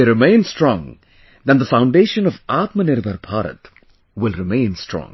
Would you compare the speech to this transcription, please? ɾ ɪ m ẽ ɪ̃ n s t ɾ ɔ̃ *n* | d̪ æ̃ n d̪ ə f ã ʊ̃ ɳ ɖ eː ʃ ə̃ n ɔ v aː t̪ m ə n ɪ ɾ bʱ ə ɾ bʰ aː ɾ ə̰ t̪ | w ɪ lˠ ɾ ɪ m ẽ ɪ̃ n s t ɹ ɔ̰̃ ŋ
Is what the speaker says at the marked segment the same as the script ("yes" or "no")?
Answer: no